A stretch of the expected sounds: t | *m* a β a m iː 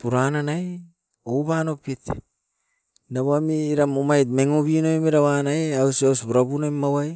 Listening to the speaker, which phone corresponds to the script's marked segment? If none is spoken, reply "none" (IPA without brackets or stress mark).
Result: n